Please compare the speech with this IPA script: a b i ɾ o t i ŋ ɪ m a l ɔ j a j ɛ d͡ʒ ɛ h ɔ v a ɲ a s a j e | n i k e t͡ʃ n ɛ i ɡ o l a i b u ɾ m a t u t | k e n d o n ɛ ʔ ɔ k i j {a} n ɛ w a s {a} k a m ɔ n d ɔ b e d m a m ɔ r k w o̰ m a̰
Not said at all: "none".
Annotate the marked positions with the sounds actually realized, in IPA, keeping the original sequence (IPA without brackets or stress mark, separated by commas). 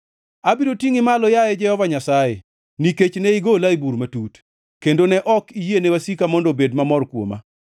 e, i